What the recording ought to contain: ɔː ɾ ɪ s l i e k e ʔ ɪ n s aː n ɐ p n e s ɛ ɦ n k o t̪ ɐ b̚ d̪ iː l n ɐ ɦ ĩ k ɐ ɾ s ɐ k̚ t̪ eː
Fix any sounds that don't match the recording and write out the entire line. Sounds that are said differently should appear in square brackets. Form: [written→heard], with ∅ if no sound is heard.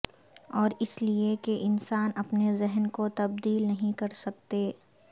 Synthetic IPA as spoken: ɔː ɾ ɪ s l i e k e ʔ ɪ n s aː n ɐ p n e [s→z] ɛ ɦ n k o t̪ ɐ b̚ d̪ iː l n ɐ ɦ ĩ k ɐ ɾ s ɐ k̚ t̪ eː